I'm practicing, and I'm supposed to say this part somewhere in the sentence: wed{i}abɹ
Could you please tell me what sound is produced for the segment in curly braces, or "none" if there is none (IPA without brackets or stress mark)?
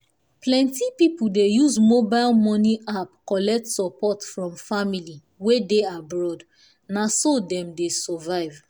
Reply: e